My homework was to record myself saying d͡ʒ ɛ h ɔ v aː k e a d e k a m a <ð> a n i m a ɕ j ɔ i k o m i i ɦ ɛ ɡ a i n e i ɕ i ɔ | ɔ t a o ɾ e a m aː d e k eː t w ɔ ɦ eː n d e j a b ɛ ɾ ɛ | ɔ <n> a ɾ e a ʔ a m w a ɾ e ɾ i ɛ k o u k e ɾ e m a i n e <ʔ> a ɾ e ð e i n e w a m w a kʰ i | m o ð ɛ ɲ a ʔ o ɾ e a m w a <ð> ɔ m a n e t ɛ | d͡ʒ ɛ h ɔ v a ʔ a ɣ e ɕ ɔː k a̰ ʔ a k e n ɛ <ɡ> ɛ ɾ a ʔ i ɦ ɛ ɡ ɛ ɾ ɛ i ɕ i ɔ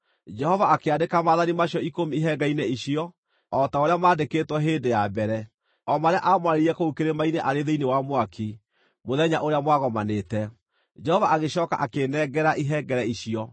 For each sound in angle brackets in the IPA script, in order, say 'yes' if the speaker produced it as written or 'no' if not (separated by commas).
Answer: yes, no, yes, no, yes